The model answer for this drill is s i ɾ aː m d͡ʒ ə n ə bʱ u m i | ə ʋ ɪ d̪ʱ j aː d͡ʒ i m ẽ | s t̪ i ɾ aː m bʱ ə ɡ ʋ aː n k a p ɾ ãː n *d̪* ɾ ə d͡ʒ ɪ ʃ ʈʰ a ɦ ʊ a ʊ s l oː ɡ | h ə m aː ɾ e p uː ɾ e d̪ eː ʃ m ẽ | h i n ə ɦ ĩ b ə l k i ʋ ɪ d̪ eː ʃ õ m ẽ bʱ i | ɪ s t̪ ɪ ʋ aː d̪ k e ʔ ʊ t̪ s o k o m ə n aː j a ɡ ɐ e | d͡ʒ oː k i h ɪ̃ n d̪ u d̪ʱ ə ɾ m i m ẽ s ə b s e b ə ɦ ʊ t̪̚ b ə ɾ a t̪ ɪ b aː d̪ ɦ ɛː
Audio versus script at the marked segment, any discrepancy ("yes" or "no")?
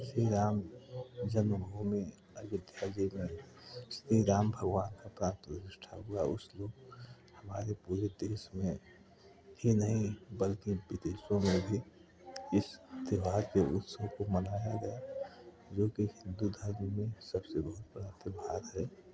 yes